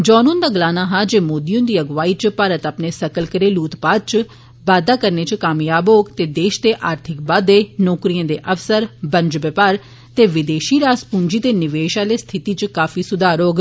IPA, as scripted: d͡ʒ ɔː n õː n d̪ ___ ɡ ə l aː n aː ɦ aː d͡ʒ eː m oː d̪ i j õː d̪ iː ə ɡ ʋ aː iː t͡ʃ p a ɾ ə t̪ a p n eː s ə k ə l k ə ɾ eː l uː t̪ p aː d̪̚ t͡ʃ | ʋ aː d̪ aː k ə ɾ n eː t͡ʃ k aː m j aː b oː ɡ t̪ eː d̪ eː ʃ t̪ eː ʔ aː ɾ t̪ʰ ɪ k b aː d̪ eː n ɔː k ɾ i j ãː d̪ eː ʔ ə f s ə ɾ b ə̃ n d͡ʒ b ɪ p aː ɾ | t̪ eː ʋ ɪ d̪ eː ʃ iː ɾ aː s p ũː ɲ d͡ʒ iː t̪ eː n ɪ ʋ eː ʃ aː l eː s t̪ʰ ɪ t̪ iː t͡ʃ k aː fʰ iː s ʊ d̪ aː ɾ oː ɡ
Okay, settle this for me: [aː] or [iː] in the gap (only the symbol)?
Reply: aː